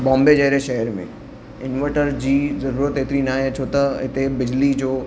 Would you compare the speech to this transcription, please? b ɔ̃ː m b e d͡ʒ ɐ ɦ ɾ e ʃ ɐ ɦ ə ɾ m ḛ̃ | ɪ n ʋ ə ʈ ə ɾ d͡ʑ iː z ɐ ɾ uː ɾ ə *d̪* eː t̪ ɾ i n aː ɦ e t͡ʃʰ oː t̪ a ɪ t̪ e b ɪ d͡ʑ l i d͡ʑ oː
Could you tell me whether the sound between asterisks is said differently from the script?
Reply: yes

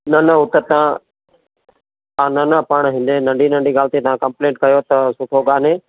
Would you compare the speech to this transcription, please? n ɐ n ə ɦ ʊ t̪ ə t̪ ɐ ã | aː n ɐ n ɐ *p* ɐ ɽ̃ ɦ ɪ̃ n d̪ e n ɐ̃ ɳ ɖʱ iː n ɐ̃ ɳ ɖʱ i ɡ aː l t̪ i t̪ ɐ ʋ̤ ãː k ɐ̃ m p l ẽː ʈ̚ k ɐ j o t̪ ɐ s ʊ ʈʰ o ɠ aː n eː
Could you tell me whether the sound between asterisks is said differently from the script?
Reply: no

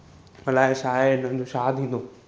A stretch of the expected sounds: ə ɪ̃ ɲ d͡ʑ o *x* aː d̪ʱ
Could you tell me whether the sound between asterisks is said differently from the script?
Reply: yes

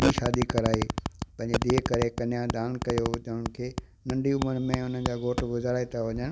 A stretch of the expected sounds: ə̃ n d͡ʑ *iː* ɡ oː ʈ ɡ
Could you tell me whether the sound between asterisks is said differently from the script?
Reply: yes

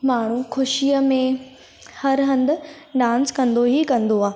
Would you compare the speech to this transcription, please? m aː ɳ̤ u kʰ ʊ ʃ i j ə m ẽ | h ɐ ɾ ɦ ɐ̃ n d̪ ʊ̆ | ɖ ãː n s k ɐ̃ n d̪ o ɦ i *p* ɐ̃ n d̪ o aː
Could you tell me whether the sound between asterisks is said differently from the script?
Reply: yes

